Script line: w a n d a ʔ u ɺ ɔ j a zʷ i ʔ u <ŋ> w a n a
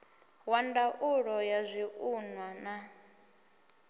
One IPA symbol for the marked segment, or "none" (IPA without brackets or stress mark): n